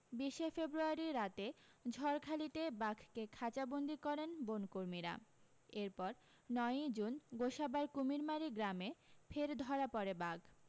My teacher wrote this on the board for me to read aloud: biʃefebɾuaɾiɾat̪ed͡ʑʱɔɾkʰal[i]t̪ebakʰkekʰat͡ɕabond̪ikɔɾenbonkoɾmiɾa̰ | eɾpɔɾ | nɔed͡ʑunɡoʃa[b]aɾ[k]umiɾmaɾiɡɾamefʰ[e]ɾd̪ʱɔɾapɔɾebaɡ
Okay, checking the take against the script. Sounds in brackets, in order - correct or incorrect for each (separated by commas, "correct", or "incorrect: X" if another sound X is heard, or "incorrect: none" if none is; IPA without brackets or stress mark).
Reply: correct, correct, correct, correct